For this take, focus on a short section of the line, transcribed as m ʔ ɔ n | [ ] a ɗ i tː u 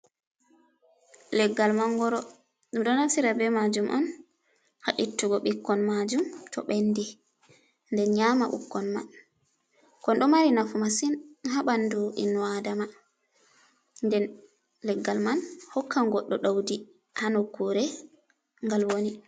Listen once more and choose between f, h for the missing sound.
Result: h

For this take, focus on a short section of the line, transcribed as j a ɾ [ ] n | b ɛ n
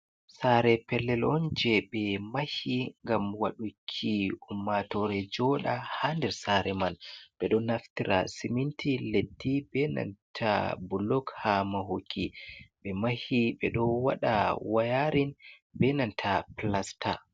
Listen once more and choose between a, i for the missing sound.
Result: i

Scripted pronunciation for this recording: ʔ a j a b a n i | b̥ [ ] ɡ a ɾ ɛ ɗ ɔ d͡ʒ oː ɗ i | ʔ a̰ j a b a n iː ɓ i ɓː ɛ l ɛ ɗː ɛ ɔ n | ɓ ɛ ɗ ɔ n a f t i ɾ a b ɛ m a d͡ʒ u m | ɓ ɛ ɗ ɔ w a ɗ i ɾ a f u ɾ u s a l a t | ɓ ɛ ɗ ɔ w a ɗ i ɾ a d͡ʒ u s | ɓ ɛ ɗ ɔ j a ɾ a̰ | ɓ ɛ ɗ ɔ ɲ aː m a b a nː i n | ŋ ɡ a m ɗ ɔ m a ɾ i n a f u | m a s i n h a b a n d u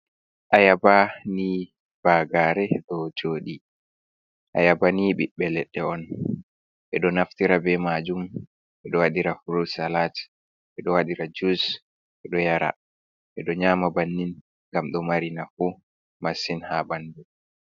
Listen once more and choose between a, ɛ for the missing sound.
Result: a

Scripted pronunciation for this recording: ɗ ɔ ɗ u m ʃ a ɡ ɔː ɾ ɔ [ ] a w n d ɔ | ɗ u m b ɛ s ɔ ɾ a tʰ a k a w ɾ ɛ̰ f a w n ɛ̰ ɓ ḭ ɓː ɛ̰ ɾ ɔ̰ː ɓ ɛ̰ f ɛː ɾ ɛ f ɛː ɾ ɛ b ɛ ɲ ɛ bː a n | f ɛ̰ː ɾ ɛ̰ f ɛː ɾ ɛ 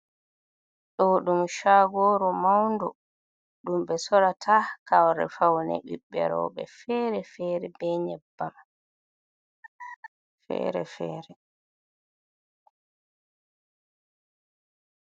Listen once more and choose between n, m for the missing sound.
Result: m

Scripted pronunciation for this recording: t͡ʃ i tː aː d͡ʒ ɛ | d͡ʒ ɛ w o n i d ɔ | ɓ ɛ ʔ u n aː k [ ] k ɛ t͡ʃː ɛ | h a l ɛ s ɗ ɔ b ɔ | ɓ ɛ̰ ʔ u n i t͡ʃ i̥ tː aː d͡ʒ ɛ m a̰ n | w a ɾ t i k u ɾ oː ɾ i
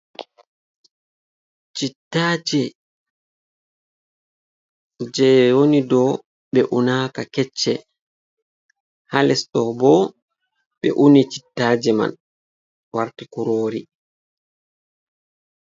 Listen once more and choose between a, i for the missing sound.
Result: a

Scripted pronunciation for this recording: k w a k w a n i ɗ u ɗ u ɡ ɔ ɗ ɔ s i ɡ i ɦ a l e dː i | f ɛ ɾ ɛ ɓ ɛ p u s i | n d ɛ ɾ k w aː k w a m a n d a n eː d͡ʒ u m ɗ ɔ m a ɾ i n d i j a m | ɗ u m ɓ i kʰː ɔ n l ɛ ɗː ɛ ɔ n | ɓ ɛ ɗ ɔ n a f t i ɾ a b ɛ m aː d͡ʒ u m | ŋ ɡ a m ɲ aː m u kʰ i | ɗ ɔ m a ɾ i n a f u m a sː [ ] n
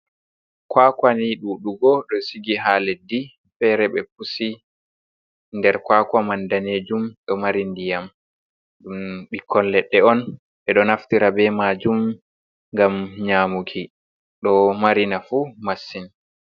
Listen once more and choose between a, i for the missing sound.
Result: i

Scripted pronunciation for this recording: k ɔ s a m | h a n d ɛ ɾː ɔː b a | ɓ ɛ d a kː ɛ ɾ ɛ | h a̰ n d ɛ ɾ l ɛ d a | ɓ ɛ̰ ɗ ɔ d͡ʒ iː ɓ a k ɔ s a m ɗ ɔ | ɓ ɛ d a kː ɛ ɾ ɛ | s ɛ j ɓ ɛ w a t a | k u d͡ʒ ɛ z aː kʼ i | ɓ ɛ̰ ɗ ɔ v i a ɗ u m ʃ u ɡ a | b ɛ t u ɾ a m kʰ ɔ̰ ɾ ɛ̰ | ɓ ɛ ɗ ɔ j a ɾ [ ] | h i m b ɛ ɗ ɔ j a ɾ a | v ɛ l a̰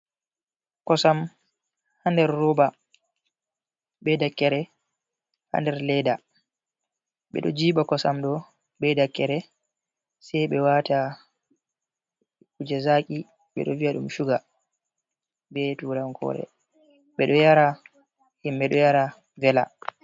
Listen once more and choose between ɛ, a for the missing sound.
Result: a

